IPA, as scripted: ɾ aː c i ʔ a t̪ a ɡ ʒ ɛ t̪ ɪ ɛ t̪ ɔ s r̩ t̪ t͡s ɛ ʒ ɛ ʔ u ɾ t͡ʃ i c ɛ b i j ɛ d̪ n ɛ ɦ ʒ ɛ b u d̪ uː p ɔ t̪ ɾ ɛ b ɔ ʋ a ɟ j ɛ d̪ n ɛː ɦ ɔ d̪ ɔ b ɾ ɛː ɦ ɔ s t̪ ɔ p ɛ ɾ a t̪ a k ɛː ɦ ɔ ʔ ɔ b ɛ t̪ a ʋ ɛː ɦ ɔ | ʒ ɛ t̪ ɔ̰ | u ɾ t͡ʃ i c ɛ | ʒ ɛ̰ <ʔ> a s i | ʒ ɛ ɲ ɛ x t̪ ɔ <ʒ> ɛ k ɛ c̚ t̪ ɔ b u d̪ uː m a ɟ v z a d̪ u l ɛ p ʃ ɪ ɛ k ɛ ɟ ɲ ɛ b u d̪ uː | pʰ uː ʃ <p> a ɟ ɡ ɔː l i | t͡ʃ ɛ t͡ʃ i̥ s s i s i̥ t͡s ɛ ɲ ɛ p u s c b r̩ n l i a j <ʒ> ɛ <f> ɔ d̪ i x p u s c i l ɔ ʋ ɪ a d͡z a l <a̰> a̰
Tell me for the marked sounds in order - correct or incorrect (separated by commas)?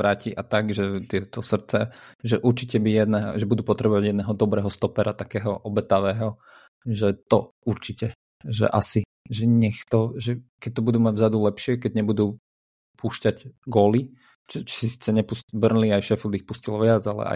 correct, correct, incorrect, incorrect, correct, incorrect